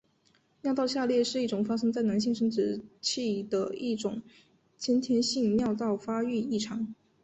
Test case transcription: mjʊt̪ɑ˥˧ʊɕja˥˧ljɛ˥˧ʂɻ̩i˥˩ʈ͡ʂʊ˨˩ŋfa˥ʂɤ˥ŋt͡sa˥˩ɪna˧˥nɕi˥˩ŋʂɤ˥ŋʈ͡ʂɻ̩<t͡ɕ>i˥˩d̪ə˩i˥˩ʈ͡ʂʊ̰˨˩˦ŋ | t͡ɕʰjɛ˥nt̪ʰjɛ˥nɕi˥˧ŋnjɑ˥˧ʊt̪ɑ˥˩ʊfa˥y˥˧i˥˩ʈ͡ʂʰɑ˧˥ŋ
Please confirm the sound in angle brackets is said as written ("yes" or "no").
no